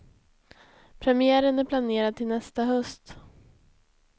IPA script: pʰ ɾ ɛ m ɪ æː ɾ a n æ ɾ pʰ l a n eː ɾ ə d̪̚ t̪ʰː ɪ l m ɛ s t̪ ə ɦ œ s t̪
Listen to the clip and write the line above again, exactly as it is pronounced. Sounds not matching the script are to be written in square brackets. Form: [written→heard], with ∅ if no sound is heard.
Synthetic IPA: pʰ ɾ ɛ m ɪ æː ɾ [a→ə] n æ ɾ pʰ l a n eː ɾ [ə→a] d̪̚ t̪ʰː ɪ l [m→n] ɛ s t̪ [ə→a] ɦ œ s t̪